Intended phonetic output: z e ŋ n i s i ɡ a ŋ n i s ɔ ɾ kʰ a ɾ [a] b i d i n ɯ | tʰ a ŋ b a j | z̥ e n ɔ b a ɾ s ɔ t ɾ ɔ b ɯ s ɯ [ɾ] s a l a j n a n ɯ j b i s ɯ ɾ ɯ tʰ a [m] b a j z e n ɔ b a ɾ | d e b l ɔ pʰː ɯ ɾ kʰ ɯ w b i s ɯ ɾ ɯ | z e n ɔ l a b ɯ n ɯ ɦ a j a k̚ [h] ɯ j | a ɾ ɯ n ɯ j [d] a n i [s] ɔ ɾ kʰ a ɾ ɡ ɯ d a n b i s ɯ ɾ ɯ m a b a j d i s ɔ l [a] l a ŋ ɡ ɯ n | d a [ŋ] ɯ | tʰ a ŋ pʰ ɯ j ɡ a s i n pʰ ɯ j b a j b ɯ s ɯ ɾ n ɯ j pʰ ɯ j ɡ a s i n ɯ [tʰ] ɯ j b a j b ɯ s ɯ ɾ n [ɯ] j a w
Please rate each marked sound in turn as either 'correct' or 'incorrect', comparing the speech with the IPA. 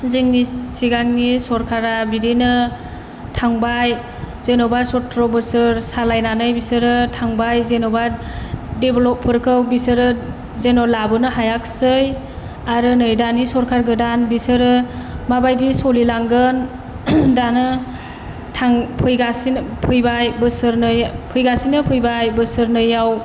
correct, correct, incorrect, incorrect, correct, correct, incorrect, incorrect, incorrect, correct

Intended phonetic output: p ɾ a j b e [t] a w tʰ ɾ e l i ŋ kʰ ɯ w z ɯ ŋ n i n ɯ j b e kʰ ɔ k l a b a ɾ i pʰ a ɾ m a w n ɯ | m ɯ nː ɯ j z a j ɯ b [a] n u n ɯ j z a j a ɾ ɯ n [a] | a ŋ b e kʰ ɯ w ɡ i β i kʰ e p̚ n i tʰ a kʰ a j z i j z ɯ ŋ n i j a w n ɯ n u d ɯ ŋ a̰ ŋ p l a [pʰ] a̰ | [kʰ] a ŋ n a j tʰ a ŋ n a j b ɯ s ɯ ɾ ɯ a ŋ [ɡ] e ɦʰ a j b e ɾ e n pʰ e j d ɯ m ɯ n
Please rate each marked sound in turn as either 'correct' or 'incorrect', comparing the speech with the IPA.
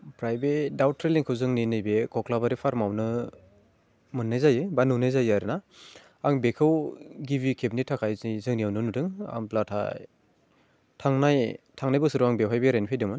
incorrect, correct, correct, incorrect, incorrect, incorrect

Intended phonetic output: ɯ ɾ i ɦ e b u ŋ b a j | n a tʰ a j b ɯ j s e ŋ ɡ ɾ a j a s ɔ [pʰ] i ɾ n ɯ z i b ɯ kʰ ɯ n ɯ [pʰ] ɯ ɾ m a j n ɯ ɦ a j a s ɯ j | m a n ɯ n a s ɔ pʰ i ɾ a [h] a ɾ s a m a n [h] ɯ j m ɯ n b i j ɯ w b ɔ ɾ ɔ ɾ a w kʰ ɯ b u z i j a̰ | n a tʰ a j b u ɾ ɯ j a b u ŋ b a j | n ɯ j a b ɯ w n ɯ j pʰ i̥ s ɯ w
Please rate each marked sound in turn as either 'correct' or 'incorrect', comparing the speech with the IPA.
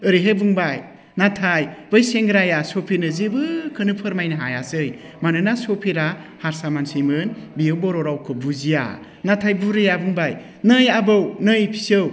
correct, correct, correct, incorrect

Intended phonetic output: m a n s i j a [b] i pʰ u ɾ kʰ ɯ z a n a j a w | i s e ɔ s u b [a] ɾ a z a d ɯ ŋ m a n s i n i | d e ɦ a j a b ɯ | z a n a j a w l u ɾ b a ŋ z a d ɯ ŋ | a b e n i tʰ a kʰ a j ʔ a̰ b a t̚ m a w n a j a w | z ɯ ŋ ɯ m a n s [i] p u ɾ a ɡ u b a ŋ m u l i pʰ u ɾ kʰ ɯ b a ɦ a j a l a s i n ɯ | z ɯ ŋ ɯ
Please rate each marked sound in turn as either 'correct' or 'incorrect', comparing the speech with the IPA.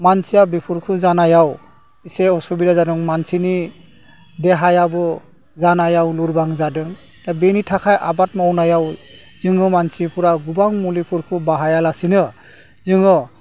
correct, incorrect, correct

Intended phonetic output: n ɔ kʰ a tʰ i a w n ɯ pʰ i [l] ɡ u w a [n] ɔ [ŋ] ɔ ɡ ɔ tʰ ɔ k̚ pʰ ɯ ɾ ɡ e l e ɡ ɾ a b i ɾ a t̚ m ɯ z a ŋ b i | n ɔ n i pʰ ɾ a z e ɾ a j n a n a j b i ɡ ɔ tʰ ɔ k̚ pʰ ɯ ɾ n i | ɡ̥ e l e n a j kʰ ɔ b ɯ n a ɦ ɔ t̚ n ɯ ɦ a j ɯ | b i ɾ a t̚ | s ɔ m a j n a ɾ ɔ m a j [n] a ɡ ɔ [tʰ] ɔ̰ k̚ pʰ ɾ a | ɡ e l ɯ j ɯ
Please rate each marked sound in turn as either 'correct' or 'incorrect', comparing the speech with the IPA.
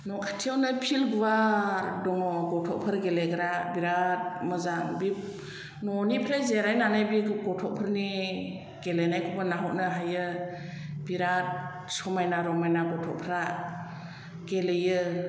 correct, incorrect, correct, correct, correct

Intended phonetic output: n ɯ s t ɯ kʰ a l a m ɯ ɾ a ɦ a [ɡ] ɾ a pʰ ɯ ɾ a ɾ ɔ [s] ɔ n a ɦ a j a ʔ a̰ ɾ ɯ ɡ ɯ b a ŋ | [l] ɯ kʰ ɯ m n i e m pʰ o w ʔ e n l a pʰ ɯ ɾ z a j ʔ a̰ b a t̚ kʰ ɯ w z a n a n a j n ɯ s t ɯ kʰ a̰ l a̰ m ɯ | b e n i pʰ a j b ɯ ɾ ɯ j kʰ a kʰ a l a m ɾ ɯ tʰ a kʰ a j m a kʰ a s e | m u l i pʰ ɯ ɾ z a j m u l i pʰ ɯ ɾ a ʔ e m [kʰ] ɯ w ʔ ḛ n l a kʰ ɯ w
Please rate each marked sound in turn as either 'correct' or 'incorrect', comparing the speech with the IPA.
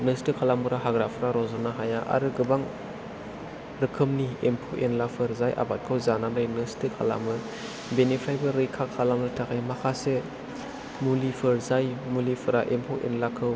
correct, incorrect, incorrect, incorrect

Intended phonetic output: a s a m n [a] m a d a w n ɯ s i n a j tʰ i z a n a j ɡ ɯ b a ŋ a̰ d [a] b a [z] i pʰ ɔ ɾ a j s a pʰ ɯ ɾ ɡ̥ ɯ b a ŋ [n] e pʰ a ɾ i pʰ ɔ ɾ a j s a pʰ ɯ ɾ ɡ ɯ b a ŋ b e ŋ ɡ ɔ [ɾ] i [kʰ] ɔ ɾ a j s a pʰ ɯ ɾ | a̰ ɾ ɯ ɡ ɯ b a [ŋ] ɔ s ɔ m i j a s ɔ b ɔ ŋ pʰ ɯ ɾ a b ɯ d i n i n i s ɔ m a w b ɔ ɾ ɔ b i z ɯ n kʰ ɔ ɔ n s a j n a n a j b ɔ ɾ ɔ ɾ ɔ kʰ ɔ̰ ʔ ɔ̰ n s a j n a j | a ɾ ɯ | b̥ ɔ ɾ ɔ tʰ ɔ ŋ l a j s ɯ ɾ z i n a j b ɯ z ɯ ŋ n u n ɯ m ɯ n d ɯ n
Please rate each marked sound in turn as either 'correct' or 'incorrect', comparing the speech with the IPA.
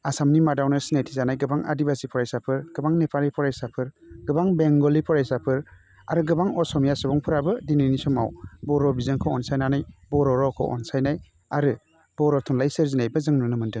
incorrect, incorrect, incorrect, correct, incorrect, incorrect, correct

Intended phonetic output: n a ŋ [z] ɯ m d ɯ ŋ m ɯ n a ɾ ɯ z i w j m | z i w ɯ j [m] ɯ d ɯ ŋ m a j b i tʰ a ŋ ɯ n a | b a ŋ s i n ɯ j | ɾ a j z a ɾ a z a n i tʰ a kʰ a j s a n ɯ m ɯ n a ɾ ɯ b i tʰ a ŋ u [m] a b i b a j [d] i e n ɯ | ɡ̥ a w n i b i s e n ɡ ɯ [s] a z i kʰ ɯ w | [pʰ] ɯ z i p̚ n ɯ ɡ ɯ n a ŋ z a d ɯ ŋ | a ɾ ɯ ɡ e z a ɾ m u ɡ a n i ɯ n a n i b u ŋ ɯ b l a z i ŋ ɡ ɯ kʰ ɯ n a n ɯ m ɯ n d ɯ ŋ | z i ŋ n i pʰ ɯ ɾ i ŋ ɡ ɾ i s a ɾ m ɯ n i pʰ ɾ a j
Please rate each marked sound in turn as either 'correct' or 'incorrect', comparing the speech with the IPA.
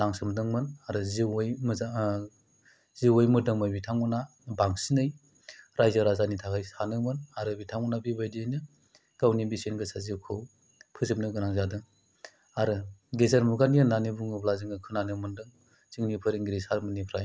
incorrect, correct, incorrect, correct, correct, correct

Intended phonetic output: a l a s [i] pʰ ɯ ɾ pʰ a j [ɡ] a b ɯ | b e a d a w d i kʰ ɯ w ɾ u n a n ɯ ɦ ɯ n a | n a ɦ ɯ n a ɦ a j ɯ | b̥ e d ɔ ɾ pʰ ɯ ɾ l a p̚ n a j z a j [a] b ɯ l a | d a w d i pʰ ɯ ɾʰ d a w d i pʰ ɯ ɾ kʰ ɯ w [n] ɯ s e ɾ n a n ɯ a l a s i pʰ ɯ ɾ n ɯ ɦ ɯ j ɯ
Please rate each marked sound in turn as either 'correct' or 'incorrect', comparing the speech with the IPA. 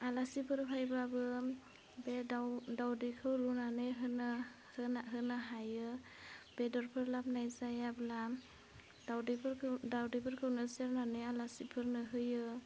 correct, incorrect, correct, correct

